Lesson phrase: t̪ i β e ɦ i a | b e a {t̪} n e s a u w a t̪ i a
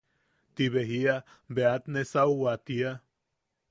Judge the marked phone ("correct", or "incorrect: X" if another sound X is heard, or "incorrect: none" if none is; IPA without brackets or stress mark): correct